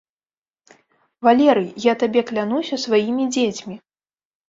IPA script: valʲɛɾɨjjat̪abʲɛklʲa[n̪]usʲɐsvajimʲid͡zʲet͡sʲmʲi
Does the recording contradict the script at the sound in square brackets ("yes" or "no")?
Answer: no